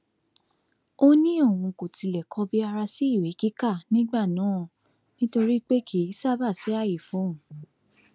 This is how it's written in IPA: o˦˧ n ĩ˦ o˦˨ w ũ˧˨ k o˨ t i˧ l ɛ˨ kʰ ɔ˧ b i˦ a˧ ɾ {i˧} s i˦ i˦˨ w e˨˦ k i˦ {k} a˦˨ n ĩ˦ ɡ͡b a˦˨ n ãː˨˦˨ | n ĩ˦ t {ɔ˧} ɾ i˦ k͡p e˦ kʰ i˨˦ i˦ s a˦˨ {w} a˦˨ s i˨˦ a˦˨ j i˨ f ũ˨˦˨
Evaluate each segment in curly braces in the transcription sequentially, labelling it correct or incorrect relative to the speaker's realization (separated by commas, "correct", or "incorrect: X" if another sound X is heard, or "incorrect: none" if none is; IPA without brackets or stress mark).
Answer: incorrect: a˧, correct, incorrect: o˧, incorrect: b